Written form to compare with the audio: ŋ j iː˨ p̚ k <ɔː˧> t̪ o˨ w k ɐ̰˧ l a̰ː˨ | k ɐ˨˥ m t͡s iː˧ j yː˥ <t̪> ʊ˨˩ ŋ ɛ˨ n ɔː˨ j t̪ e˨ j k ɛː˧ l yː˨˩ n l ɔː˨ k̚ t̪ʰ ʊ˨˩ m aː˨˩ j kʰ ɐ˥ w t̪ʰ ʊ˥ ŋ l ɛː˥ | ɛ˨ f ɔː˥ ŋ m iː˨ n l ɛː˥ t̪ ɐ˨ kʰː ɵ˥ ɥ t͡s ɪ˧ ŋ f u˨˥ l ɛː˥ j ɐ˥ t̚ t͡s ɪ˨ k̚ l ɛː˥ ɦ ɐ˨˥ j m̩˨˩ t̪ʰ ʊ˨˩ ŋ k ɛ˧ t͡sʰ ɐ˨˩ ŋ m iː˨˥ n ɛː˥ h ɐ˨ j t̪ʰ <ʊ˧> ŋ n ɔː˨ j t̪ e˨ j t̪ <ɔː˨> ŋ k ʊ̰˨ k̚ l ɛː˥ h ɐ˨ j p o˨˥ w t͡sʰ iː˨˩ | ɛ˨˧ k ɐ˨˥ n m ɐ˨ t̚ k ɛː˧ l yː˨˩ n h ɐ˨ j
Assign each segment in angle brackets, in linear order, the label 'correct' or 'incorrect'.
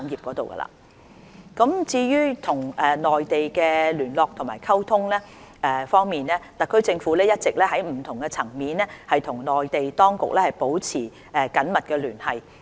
incorrect, incorrect, incorrect, incorrect

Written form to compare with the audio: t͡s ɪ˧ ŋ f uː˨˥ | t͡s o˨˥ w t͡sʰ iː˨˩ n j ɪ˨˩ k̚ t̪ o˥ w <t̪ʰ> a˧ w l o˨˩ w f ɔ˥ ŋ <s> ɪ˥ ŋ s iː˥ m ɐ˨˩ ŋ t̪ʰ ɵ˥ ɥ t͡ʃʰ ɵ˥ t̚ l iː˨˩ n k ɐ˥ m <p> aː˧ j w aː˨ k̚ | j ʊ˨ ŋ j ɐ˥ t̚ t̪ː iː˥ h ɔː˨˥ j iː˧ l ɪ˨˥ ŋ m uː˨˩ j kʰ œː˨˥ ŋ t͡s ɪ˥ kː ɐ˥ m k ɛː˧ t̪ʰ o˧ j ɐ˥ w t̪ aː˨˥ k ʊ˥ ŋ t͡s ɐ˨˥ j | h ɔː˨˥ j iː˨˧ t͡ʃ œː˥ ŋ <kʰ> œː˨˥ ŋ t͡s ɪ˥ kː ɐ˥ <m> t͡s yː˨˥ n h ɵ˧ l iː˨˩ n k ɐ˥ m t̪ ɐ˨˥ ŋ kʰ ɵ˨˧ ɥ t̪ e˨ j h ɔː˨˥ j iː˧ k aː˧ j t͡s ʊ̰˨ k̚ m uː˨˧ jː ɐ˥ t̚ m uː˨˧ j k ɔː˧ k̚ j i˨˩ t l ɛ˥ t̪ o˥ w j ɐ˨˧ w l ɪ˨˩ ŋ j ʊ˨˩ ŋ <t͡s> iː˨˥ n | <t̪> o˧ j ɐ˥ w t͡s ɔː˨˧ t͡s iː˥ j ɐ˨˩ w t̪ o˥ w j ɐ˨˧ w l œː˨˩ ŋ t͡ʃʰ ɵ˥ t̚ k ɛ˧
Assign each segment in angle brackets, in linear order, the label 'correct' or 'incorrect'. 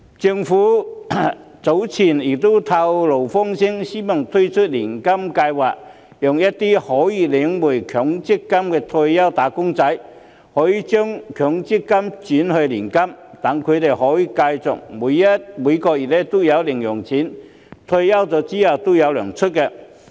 correct, correct, incorrect, correct, correct, incorrect, incorrect

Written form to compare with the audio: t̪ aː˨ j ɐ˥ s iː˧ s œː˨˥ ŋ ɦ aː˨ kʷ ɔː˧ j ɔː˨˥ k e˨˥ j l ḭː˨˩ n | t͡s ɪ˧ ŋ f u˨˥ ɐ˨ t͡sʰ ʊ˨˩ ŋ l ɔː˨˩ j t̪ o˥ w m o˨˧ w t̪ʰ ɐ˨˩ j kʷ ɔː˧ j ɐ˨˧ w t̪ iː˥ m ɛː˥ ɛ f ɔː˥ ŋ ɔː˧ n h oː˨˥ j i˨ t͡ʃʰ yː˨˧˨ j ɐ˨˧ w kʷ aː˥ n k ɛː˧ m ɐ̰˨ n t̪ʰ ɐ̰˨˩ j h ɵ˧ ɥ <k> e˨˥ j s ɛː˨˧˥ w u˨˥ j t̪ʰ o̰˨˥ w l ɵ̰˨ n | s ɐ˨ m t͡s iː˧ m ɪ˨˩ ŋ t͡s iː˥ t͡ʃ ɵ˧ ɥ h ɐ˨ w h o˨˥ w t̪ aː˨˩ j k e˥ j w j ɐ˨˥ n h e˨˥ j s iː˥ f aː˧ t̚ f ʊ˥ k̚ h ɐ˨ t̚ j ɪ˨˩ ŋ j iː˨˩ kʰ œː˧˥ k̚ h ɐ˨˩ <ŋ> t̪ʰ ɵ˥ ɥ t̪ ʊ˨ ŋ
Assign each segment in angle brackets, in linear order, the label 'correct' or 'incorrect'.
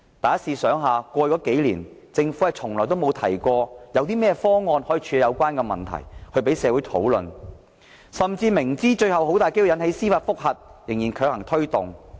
incorrect, correct

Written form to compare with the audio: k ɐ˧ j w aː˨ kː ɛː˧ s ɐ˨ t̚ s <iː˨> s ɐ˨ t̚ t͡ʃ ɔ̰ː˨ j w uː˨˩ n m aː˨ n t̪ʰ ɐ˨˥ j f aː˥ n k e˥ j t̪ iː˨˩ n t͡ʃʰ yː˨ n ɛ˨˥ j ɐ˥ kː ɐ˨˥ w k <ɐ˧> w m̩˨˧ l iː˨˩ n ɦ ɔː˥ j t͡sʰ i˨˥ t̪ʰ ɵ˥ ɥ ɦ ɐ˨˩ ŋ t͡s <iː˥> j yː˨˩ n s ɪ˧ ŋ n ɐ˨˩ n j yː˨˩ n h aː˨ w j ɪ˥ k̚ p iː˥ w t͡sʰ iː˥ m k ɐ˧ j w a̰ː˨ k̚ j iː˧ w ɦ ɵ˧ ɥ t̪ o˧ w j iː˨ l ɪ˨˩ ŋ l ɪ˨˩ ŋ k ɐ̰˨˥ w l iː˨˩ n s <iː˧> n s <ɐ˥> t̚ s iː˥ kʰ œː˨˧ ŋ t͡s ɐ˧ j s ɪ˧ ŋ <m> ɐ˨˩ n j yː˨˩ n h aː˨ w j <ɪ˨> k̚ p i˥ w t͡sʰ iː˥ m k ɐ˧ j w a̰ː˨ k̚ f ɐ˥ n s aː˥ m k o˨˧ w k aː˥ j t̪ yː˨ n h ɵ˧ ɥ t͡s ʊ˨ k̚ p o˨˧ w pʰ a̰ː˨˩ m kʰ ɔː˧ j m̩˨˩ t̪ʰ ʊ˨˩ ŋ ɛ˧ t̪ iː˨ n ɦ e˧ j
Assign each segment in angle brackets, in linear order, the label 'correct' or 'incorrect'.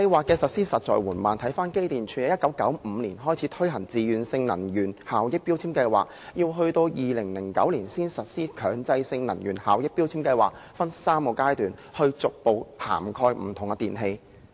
incorrect, incorrect, incorrect, incorrect, incorrect, incorrect, incorrect

